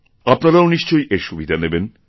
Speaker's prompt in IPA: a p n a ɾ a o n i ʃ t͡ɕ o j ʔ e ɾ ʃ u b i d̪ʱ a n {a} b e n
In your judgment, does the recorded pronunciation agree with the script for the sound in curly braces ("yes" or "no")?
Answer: no